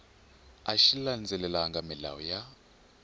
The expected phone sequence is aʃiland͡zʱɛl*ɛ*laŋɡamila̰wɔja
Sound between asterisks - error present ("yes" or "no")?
no